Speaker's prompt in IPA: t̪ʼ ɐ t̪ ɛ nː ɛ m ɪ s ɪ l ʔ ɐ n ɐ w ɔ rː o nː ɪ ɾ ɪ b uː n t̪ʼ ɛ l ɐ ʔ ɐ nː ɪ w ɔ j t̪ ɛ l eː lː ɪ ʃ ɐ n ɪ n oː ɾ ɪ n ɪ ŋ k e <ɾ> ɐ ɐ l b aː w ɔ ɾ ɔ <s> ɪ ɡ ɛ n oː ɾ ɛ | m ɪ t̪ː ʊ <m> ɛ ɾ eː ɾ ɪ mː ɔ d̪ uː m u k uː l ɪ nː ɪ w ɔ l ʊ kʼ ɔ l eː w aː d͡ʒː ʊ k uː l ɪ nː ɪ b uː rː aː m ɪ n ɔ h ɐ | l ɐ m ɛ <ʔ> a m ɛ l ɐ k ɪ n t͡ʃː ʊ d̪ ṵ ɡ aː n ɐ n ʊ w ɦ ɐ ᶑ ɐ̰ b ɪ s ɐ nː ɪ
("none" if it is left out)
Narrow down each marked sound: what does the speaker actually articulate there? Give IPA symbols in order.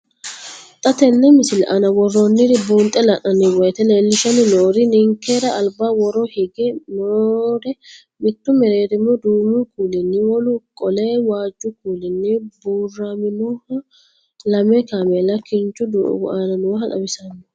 ɾ, h, m, k

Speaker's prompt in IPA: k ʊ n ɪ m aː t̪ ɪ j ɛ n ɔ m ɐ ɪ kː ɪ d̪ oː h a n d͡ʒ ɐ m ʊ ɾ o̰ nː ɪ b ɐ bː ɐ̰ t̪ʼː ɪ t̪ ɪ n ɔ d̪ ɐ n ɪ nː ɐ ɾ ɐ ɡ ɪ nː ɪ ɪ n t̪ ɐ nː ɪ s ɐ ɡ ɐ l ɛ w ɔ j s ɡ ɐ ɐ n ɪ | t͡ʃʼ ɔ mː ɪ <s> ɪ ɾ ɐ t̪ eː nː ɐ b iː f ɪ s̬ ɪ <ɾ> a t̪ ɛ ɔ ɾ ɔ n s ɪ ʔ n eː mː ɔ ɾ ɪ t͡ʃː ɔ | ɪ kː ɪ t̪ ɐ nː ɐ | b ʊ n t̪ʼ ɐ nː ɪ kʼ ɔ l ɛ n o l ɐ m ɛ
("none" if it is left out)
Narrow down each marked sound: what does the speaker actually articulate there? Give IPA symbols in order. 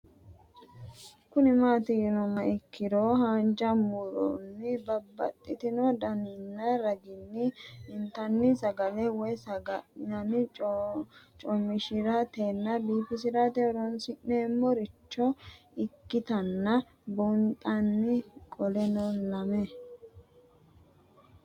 ʃ, ɾ

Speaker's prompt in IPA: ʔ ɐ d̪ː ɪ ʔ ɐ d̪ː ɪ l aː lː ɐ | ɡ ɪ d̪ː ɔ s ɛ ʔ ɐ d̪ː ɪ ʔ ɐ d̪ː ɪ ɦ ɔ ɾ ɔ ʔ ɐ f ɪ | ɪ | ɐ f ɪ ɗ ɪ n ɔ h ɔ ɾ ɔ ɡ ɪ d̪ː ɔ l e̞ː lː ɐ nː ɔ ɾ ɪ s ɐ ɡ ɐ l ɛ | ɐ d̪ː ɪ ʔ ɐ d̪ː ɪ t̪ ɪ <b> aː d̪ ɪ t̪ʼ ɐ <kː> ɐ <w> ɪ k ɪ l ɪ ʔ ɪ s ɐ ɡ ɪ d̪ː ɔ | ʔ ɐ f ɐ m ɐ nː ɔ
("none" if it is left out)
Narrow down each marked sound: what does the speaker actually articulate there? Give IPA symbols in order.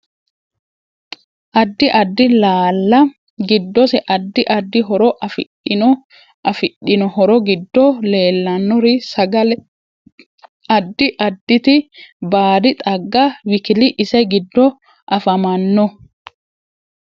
b, ɡː, w

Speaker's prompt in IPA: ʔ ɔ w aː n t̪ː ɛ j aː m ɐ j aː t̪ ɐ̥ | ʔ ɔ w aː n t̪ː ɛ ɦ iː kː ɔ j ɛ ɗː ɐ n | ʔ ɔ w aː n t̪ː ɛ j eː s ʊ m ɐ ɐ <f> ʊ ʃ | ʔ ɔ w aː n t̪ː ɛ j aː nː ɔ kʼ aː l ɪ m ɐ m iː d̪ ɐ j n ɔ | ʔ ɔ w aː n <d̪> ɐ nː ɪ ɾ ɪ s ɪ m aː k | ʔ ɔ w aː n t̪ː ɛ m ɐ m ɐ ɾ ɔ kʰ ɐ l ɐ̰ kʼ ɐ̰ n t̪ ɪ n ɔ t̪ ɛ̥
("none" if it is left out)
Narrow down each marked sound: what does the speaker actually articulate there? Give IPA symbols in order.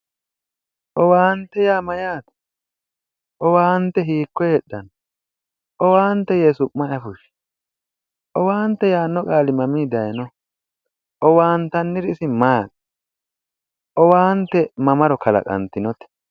f, t̪

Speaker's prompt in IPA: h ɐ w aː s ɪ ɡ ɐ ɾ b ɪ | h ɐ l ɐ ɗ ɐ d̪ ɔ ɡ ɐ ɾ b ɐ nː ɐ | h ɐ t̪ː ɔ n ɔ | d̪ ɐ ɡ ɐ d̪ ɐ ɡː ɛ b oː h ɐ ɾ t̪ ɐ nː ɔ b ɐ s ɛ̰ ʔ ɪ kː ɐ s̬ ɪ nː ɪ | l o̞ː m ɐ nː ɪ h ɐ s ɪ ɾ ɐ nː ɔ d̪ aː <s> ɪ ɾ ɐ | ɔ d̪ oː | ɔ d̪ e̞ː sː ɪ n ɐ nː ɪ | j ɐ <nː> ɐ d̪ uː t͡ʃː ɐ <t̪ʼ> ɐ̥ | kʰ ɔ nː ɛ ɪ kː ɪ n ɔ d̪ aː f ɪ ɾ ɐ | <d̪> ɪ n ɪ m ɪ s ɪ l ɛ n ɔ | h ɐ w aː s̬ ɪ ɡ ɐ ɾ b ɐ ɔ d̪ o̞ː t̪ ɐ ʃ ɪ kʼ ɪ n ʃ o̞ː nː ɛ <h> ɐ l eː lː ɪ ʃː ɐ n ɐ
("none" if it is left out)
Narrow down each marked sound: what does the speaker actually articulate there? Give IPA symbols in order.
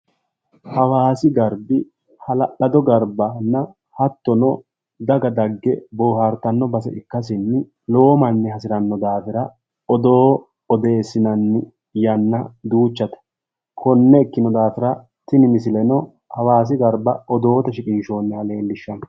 f, nː, t̪, t̪, h

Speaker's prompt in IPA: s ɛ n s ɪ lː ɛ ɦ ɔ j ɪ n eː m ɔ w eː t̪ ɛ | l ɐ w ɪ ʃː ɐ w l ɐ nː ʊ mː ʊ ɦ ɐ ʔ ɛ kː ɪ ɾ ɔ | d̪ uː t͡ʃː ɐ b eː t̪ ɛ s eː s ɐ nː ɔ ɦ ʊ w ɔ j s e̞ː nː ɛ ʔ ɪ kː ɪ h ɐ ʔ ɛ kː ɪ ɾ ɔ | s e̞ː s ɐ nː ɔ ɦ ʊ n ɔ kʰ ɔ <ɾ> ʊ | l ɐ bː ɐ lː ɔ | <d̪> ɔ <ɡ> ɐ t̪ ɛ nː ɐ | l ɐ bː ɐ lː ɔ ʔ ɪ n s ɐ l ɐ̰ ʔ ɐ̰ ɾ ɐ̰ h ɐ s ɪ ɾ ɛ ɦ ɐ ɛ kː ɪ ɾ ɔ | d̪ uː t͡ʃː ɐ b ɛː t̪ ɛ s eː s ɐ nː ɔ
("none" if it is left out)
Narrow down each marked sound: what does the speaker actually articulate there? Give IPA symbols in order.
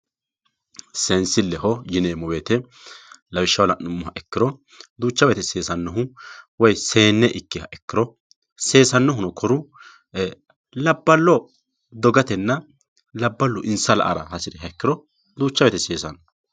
ɾ, d̪, ɡ

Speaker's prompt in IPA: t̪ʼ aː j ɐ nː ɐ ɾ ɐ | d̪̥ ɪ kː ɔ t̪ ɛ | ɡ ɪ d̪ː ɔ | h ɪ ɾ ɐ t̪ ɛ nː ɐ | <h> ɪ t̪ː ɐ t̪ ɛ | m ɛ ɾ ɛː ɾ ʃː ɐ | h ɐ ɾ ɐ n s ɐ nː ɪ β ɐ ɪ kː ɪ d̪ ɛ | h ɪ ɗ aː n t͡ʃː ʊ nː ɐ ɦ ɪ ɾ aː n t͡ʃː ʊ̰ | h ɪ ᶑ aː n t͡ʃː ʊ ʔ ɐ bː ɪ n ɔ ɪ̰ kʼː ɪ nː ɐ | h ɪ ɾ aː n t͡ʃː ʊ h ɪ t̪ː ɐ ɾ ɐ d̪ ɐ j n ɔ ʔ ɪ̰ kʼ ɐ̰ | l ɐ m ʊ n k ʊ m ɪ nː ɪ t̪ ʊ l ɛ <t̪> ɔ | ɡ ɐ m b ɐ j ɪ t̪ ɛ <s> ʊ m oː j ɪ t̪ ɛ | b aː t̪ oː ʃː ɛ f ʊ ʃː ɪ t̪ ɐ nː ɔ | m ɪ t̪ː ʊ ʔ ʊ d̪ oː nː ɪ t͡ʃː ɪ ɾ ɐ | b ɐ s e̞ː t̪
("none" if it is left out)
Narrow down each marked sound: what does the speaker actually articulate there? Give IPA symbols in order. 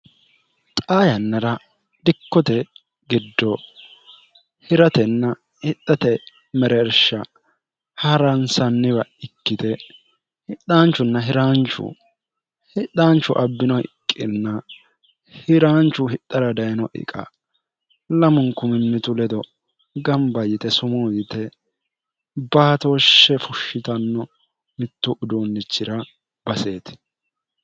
h, d̪, s

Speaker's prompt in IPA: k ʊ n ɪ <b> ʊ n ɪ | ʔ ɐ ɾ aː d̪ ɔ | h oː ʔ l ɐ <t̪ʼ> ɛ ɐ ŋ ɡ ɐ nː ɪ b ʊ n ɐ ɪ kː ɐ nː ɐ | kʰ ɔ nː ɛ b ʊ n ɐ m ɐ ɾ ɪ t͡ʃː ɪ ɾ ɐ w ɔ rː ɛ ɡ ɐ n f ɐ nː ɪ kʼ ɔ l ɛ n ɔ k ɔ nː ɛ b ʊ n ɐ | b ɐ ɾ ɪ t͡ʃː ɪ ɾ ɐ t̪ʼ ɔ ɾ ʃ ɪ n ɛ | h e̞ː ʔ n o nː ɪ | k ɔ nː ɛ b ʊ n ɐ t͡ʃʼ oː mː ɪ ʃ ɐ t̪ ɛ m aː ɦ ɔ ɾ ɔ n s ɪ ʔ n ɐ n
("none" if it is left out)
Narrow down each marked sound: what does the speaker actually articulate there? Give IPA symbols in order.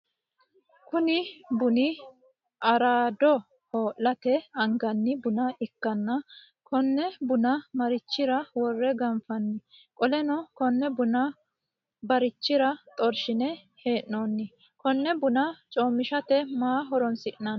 b, t̪

